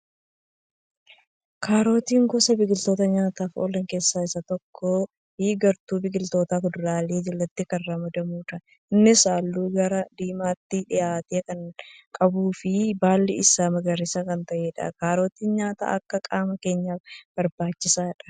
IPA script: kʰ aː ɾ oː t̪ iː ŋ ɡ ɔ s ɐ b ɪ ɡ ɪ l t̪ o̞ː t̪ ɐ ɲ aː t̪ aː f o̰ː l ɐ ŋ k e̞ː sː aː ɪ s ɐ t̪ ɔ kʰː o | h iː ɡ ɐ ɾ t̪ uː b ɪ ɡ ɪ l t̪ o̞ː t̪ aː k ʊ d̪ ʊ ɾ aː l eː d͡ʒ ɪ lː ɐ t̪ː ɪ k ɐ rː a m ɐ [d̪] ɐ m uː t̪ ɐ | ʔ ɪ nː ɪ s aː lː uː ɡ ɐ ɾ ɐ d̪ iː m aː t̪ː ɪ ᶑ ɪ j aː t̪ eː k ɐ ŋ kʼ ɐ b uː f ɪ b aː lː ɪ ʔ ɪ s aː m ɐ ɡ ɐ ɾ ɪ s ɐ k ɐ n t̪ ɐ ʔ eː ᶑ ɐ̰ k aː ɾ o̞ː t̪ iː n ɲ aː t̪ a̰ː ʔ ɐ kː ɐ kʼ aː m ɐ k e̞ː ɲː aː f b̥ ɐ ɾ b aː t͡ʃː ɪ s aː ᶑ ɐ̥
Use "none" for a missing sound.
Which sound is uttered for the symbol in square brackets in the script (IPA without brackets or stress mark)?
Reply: d̪